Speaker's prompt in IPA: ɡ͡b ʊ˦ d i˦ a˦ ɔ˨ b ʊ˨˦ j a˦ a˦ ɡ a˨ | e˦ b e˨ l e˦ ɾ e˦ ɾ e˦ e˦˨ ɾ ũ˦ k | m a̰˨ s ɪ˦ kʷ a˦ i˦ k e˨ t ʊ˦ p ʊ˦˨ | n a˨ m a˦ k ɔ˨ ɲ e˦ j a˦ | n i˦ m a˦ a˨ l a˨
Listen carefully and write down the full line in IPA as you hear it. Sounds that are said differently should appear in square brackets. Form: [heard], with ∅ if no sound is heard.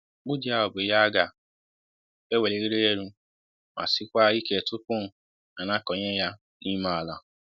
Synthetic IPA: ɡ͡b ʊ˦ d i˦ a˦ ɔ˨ b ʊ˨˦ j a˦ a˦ ɡ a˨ | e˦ [w] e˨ l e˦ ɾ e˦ ɾ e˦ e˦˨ ɾ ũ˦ [∅] | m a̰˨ s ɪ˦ kʷ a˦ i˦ k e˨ t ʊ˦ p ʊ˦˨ | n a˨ [n] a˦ k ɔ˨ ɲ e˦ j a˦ | n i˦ m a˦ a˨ l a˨